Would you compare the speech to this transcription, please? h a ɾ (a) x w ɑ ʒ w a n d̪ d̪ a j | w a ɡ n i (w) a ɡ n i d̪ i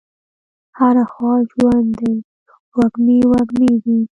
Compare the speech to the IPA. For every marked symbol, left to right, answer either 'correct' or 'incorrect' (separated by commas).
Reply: correct, correct